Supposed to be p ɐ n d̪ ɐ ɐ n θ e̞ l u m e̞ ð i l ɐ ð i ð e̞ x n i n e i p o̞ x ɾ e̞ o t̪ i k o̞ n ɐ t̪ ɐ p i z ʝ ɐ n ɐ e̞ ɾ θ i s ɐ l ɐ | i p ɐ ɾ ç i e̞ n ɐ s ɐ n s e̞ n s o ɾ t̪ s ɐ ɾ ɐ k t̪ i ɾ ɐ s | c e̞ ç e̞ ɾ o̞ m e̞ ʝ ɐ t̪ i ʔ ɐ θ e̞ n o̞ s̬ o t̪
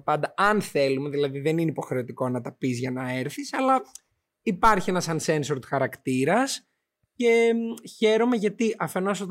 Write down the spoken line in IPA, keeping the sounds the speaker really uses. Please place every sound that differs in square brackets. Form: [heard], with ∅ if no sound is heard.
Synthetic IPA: p ɐ n d̪ ɐ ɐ n θ e̞ l u m e̞ ð i l ɐ ð i ð e̞ [∅] n i n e i p o̞ x ɾ e̞ o t̪ i k o̞ n ɐ t̪ ɐ p i z ʝ ɐ n ɐ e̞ ɾ θ i s ɐ l ɐ | i p ɐ ɾ ç i e̞ n ɐ s ɐ n s e̞ n s o ɾ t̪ [x] ɐ ɾ ɐ k t̪ i ɾ ɐ s | c e̞ ç e̞ ɾ o̞ m e̞ ʝ ɐ t̪ i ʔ ɐ [f] e̞ n o̞ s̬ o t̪